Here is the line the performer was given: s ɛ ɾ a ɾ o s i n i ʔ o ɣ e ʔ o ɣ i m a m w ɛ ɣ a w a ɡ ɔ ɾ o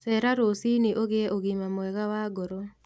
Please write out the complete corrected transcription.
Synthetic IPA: s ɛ ɾ a ɾ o s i n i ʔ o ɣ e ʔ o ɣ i m a m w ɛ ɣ a w a ɡ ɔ ɾ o